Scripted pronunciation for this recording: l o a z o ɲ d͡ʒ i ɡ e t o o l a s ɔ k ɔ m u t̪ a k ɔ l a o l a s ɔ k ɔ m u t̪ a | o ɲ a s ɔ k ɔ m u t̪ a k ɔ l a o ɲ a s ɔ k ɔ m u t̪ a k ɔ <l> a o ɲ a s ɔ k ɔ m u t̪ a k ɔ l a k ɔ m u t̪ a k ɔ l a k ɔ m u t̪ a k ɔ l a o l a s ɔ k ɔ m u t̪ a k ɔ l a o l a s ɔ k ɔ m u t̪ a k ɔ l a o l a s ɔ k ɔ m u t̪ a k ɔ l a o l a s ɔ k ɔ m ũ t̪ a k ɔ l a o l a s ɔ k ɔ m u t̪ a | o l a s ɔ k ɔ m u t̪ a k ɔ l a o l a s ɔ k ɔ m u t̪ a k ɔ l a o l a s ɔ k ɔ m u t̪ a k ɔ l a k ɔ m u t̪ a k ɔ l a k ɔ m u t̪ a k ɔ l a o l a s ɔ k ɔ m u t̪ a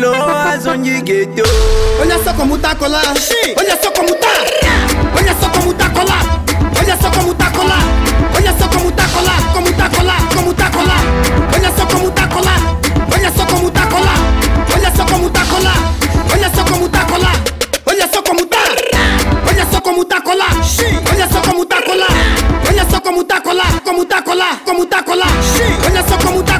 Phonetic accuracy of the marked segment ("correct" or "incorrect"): correct